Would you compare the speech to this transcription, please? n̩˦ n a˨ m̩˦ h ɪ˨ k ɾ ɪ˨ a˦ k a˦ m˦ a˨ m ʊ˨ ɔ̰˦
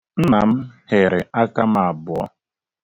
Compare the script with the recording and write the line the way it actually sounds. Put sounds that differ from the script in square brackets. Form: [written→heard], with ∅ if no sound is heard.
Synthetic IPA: n̩˦ n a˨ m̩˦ h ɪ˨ [k→∅] ɾ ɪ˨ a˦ k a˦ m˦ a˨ [m→b] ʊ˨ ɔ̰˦